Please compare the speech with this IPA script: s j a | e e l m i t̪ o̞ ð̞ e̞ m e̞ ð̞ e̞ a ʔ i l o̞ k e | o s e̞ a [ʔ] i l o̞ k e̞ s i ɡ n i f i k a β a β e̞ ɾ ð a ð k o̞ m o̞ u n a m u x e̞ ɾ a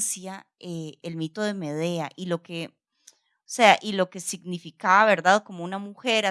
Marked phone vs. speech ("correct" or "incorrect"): correct